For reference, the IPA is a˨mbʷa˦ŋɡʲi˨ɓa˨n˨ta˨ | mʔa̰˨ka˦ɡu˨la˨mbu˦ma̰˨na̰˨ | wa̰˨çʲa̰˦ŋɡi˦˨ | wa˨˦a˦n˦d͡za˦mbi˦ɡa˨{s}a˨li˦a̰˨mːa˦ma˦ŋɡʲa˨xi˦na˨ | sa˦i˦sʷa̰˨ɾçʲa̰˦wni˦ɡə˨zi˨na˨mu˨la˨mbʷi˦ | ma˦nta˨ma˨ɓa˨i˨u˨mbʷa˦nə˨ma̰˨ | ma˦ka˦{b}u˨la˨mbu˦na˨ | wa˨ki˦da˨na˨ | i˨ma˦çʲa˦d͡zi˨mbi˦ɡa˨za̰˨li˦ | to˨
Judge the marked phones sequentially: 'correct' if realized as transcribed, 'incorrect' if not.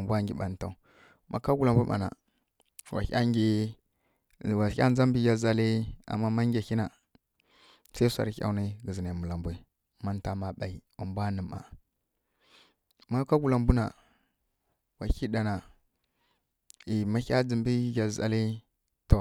incorrect, incorrect

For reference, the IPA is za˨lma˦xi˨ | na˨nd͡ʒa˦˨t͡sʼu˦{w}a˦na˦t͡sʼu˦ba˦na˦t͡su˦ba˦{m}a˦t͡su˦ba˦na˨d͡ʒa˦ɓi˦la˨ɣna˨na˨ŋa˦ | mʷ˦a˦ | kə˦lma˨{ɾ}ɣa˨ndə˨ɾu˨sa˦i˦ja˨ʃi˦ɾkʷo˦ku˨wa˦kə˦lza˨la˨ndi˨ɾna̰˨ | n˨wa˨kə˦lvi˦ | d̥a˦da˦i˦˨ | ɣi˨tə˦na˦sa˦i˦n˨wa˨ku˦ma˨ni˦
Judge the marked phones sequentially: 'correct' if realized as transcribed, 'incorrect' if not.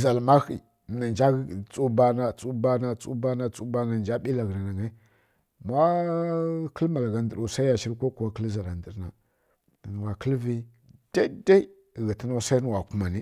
incorrect, incorrect, incorrect

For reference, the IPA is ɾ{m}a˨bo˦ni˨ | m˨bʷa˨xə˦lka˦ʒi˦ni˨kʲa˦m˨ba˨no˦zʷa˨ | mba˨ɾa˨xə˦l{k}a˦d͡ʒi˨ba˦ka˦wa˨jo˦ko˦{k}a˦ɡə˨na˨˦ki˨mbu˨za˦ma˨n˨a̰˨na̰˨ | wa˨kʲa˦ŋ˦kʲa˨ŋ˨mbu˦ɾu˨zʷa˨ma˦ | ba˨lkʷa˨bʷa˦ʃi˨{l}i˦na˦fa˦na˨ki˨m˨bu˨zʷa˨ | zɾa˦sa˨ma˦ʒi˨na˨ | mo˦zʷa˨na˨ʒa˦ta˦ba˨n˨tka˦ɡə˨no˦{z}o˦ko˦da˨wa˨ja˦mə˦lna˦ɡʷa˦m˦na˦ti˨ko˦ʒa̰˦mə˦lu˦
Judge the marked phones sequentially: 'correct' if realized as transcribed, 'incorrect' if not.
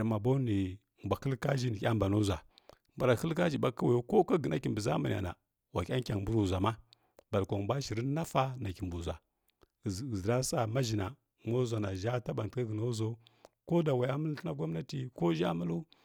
correct, correct, correct, incorrect, correct

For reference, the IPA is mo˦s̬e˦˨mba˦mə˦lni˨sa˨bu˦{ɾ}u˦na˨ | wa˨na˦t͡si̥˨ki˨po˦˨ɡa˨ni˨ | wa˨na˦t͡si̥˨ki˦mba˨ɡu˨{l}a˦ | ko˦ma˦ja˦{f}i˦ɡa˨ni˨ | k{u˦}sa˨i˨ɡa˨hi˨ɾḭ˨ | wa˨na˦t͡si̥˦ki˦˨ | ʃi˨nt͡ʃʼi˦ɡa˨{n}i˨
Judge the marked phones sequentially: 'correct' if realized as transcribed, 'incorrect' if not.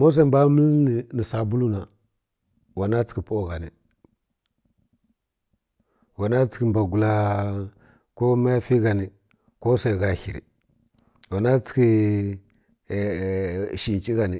incorrect, correct, correct, incorrect, correct

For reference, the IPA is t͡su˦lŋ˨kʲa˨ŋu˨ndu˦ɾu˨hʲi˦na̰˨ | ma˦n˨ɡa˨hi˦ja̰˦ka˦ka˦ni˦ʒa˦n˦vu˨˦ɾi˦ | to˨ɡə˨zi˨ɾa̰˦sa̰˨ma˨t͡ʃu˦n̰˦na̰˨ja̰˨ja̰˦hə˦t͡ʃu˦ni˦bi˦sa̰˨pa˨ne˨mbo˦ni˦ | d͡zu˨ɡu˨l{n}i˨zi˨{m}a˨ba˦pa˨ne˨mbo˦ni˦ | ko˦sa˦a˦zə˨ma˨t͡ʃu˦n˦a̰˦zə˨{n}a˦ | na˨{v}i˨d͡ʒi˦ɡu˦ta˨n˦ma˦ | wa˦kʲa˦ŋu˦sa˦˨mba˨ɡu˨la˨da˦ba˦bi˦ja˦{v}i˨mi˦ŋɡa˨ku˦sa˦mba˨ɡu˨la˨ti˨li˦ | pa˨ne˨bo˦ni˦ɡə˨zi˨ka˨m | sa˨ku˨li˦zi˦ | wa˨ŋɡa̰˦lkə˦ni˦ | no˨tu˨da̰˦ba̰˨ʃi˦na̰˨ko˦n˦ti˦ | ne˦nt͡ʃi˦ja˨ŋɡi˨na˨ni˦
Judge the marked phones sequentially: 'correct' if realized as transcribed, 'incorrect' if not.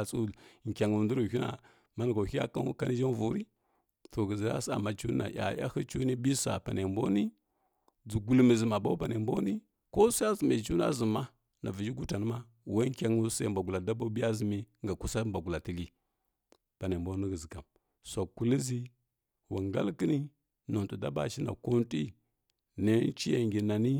incorrect, correct, incorrect, correct, incorrect

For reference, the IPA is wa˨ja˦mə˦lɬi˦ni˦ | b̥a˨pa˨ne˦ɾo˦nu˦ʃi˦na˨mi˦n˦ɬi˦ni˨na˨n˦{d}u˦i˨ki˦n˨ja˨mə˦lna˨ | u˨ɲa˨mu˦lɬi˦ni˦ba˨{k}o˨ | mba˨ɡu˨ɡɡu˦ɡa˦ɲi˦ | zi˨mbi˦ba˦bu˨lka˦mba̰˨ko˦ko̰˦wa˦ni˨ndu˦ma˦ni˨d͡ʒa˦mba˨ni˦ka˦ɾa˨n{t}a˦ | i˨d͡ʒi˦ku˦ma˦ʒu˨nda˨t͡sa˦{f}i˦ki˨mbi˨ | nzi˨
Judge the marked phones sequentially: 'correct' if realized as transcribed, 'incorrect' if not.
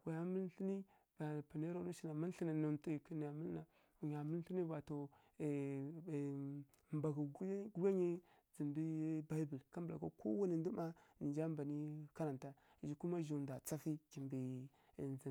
incorrect, incorrect, correct, correct

